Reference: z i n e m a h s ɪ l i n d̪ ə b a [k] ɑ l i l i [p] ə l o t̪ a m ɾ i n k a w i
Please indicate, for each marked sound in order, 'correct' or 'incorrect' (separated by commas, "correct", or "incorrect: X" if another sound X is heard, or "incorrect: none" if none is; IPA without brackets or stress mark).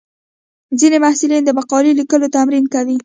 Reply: incorrect: q, incorrect: k